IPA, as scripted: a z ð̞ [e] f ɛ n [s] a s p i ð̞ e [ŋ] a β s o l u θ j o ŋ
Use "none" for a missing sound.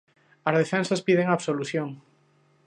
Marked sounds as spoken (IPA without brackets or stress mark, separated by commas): e, s, ŋ